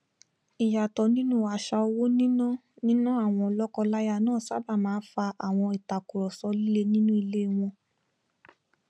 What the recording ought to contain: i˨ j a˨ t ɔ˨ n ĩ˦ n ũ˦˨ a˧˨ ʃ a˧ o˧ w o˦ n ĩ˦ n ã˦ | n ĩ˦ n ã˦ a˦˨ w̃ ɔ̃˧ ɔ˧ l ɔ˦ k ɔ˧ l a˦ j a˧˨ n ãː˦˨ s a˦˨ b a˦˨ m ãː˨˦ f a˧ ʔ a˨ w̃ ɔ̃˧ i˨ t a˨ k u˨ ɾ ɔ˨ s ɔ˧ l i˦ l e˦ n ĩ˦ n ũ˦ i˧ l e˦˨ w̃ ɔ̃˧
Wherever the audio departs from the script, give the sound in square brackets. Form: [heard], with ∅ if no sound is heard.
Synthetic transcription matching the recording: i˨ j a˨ t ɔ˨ n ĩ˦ n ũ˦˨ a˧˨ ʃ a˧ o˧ w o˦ n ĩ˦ n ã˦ | n ĩ˦ n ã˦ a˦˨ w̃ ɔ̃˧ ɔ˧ l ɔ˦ k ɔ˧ l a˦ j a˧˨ n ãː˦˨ s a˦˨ b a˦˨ m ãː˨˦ f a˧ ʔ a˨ w̃ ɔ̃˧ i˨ t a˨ k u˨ ɾ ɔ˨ s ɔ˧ l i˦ l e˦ n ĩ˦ n ũ˦ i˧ l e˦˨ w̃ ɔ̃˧